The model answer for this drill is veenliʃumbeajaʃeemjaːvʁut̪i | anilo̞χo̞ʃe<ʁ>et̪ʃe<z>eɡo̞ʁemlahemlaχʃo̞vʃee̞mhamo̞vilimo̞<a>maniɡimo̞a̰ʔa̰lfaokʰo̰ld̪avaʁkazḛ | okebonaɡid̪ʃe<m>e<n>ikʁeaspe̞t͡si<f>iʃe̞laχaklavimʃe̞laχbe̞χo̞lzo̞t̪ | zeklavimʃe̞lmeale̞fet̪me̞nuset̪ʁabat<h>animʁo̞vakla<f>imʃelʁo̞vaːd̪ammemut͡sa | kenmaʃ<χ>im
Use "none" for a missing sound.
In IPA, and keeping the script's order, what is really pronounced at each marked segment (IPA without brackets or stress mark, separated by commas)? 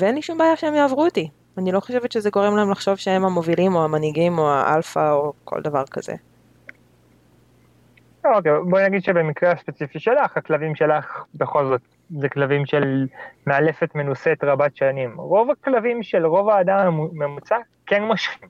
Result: v, z, a, b, m, f, ʃ, v, χ